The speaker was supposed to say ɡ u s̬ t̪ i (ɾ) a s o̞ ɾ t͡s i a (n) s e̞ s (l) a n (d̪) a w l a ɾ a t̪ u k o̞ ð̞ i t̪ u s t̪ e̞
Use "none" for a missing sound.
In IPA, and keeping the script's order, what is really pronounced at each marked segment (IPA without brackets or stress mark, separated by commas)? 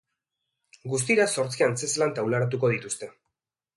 ɾ, n, l, t̪